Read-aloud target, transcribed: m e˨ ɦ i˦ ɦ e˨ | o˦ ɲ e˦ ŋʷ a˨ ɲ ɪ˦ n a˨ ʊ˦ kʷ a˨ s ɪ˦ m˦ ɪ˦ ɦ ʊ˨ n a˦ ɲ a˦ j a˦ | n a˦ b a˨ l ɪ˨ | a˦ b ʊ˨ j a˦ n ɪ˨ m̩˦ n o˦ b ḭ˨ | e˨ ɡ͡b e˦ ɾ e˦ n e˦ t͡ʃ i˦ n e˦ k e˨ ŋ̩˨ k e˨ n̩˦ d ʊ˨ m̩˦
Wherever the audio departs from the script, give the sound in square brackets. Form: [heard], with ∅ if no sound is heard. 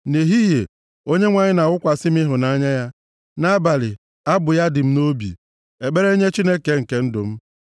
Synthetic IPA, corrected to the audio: [n] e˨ ɦ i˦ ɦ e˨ | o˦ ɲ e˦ ŋʷ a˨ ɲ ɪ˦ n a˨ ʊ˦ kʷ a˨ s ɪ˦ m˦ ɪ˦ ɦ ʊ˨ n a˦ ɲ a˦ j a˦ | n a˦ b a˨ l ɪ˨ | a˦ b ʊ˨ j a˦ [d] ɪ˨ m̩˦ n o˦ b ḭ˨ | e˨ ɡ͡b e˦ ɾ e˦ [ɲ] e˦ t͡ʃ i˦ n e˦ k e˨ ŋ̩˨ k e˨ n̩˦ d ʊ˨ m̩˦